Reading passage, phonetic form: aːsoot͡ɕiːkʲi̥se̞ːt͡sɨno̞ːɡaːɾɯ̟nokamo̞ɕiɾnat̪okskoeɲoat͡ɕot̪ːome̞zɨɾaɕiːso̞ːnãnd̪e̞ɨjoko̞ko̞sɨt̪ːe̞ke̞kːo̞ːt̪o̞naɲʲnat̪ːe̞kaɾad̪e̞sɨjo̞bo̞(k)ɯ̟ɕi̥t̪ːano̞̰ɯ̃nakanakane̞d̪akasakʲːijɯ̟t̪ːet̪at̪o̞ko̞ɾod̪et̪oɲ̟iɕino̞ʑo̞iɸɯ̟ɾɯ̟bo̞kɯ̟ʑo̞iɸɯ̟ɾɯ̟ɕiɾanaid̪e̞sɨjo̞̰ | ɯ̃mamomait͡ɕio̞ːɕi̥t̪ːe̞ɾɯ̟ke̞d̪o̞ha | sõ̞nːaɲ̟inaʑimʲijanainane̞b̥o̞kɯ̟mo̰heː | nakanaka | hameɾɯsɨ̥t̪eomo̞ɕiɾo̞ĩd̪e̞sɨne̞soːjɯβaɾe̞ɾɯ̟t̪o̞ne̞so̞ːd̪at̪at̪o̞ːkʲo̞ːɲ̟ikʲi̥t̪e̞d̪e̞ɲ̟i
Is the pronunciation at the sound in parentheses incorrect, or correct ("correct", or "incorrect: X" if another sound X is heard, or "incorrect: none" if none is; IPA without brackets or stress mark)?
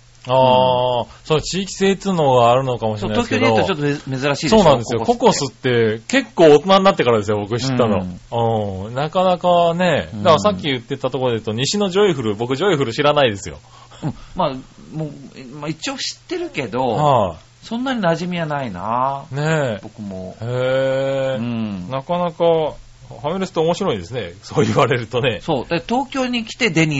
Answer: correct